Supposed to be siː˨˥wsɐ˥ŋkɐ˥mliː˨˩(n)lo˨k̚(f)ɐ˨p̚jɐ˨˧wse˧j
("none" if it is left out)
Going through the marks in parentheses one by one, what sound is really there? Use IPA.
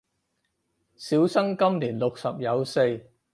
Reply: n, s

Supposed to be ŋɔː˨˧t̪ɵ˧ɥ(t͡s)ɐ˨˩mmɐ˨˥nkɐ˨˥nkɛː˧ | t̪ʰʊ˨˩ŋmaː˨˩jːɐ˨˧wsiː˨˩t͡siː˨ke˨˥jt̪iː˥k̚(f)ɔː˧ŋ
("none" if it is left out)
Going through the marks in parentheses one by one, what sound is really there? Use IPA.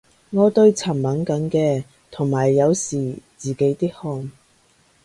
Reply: t͡sʰ, h

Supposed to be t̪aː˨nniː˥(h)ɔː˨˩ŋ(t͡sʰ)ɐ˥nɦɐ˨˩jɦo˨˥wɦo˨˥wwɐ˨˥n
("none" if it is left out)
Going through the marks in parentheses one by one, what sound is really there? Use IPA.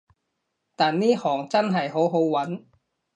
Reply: h, t͡s

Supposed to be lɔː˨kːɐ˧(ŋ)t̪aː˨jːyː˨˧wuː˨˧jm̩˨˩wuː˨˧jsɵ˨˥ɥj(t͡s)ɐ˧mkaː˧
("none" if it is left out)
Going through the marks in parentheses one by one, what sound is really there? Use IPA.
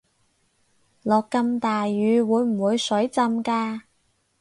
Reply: m, t͡s

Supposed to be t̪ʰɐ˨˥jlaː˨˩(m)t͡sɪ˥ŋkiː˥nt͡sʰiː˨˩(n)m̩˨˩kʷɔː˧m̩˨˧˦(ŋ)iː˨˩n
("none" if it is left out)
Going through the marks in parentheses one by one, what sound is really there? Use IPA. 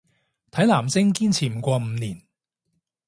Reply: m, none, n

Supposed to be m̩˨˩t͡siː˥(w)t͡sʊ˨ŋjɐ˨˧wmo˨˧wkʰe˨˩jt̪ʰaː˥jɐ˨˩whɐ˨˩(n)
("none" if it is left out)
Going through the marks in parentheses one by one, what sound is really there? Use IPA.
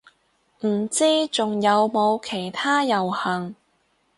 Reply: none, ŋ

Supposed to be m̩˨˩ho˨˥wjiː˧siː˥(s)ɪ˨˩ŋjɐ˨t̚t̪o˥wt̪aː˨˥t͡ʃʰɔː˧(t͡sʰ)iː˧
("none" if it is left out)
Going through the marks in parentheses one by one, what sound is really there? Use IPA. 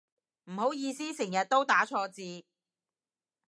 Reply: s, t͡s

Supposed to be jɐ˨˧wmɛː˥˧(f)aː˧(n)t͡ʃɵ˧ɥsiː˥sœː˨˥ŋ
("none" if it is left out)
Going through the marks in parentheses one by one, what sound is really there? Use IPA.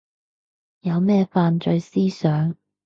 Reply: f, n

